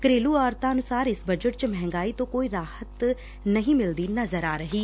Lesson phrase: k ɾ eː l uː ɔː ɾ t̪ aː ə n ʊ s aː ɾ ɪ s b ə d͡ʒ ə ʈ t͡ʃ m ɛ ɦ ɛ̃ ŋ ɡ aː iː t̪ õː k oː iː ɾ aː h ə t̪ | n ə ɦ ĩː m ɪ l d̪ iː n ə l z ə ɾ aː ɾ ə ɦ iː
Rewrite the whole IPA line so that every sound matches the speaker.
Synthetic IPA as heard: k ɾ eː l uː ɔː ɾ t̪ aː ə n ʊ s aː ɾ ɪ s b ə d͡ʒ ə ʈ t͡ʃ m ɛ ɦ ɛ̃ ŋ ɡ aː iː t̪ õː k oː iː ɾ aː h ə t̪ | n ə ɦ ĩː m ɪ l d̪ iː n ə z ə ɾ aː ɾ ə ɦ iː

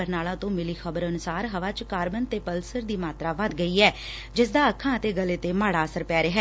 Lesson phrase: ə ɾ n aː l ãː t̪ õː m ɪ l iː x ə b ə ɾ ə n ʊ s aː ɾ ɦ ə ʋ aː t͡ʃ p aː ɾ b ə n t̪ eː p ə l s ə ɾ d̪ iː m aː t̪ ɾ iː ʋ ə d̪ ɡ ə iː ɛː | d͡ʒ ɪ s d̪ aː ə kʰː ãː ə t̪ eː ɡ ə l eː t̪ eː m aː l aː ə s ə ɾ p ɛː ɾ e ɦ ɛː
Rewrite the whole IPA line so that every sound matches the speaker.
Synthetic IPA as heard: ə ɾ n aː l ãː t̪ õː m ɪ l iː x ə b ə ɾ ə n ʊ s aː ɾ ɦ ə ʋ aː t͡ʃ k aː ɾ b ə n t̪ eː p ə l s ə ɾ d̪ iː m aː t̪ ɾ aː ʋ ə d̪ ɡ ə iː ɛː | d͡ʒ ɪ s d̪ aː ə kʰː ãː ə t̪ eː ɡ ə l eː t̪ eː m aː ɽ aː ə s ə ɾ p ɛː ɾ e ɦ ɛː

